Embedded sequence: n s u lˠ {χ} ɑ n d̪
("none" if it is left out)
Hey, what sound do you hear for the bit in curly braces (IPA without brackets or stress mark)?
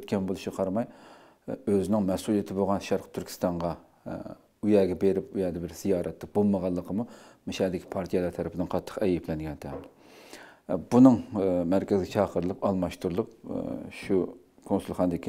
χ